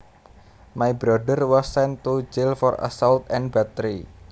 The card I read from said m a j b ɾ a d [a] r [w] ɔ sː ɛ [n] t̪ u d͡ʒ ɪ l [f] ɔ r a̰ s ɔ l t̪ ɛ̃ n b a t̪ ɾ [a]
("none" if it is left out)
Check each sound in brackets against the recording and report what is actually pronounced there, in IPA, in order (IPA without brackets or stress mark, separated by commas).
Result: ə, w, n, f, i